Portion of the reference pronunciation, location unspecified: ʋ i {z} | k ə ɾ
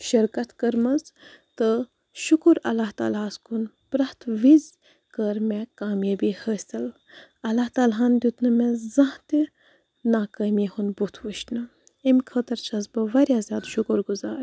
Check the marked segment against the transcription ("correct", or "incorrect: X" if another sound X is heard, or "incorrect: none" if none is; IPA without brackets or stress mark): correct